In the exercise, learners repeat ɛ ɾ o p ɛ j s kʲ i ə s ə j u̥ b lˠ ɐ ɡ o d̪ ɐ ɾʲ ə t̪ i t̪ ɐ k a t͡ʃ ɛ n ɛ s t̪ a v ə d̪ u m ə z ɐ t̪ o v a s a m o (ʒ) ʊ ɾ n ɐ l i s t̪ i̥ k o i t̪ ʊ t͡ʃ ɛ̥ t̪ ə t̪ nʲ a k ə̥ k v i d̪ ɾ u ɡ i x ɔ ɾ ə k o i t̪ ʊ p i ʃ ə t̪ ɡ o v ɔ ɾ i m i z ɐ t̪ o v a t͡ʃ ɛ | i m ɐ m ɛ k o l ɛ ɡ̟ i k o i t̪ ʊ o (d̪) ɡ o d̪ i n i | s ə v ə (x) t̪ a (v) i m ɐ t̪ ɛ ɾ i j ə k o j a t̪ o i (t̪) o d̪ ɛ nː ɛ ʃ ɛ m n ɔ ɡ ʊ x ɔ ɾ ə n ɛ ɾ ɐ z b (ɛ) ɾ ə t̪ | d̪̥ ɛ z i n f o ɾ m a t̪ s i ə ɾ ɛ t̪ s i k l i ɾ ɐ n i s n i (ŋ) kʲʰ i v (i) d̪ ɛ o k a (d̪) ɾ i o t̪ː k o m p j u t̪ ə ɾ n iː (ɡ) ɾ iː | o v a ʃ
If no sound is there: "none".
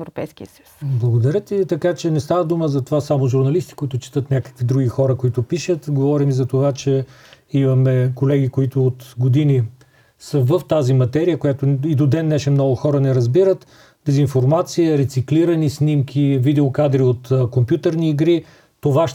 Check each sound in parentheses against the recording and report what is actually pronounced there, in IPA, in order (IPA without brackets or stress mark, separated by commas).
ʒ, t̪, f, z, d̪, i, m, i, d̪, ɡ